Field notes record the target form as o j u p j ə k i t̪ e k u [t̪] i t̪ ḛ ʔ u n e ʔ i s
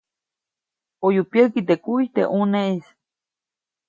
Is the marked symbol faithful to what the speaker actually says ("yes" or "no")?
no